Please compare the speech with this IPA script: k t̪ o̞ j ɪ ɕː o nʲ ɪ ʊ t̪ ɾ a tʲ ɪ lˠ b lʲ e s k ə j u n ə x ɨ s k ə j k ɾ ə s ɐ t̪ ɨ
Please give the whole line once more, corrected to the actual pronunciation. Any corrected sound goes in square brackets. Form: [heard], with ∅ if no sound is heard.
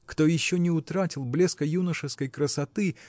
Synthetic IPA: k t̪ o̞ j ɪ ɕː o nʲ ɪ ʊ t̪ ɾ a tʲ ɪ lˠ b lʲ e s k ə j u n ə [ʂ] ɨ s k ə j k ɾ ə s ɐ t̪ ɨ